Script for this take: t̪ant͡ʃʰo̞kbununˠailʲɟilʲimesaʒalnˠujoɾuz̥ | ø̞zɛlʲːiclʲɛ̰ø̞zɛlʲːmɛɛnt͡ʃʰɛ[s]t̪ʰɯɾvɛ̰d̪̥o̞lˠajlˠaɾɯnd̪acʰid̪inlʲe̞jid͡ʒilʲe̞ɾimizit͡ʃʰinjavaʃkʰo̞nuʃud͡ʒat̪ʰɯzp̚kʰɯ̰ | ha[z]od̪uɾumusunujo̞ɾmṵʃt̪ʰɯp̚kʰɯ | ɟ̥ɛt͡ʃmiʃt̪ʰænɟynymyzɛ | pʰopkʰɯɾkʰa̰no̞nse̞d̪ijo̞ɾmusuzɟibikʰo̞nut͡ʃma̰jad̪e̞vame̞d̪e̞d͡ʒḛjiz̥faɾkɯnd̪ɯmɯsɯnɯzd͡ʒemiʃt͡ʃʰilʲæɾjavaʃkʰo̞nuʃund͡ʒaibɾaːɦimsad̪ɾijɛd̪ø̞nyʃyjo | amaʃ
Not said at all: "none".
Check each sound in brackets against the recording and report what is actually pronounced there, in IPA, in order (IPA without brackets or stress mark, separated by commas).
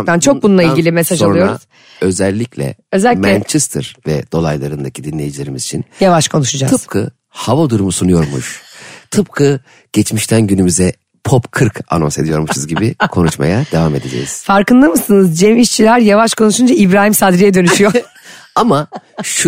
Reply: s, v